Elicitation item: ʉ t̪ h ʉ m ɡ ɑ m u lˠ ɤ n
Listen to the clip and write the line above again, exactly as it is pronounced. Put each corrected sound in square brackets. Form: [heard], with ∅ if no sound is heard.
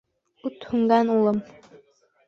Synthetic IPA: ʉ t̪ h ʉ [ŋ] ɡ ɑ [n] u lˠ ɤ [m]